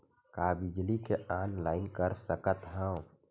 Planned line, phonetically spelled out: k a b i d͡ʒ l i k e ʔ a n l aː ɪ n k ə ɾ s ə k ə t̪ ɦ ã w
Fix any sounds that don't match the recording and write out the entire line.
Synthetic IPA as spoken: k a b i d͡ʒ l i k e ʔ a n l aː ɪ n k ə ɾ s ə k ə t̪ ɦ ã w